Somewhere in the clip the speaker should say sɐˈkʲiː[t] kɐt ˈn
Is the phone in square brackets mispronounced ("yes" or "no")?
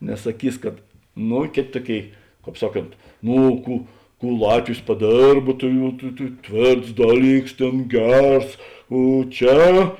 yes